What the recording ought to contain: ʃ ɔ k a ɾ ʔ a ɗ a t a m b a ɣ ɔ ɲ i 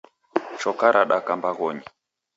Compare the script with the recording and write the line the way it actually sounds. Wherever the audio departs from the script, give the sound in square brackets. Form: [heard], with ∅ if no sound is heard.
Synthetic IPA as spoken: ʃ ɔ k a ɾ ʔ a ɗ a [k] a m b a ɣ ɔ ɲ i